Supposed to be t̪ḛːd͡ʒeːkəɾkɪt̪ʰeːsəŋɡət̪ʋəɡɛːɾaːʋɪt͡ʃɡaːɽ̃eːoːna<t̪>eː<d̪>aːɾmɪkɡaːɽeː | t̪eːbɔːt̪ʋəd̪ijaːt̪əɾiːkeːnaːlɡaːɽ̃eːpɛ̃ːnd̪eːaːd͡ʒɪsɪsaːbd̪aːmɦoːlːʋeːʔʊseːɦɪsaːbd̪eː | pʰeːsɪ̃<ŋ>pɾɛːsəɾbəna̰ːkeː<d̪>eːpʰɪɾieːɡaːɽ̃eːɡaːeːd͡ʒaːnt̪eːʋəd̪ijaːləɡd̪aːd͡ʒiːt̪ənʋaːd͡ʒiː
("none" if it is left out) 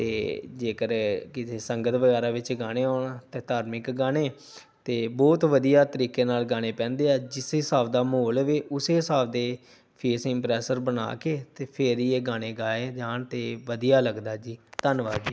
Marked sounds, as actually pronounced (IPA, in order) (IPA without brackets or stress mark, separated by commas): t̪, t̪, m, t̪